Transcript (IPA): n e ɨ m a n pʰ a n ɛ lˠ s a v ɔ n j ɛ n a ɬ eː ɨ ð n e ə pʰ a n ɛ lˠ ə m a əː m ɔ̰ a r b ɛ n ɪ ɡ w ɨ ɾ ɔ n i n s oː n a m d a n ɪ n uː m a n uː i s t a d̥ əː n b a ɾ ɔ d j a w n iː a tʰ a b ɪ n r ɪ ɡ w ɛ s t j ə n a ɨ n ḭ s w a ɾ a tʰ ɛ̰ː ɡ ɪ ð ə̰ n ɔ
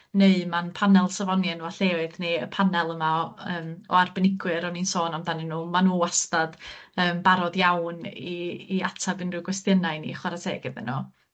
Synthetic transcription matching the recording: n e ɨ m a n pʰ a n ɛ lˠ s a v ɔ n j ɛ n a ɬ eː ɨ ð n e ə pʰ a n ɛ lˠ ə m a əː m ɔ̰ a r b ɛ n ɪ ɡ w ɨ ɾ ɔ n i n s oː n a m d a n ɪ n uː m a n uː a s t a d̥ əː m b a ɾ ɔ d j a w n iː a tʰ a b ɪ n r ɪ ɡ w ɛ s t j ə n a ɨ n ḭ χ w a ɾ a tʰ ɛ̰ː ɡ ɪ ð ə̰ n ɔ